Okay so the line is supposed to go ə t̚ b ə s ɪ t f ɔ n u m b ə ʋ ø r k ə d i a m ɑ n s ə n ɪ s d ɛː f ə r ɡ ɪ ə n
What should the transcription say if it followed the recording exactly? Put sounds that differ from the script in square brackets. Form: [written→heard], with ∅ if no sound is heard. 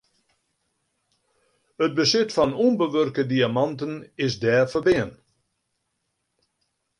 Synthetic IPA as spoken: ə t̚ b ə s ɪ t f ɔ n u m b ə ʋ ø r k ə d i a m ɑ n [s→t] ə n ɪ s d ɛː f ə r [ɡ→b] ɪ ə n

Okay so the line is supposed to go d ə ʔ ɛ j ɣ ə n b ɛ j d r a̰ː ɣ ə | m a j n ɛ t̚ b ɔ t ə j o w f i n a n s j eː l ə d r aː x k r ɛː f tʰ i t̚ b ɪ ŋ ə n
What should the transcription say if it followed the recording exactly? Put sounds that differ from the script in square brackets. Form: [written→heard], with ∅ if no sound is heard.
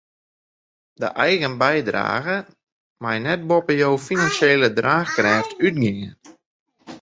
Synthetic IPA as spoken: d ə ʔ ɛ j ɣ ə n b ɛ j d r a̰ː ɣ ə | m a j n ɛ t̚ b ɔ [t→p] ə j o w f i n a n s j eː l ə d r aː x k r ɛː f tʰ [i→y] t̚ [b→ɡ] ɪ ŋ ə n

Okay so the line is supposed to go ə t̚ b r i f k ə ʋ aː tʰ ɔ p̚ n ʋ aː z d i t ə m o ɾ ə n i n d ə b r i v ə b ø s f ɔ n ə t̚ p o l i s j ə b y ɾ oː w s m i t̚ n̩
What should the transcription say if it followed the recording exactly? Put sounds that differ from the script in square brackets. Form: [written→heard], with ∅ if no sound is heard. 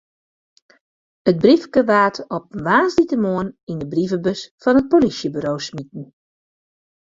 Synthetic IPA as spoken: ə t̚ b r i f k ə ʋ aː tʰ ɔ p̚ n ʋ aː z d i t ə m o [ɾ→∅] ə n i n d ə b r i v ə b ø s f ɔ n ə t̚ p o l i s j ə b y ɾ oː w s m i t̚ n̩

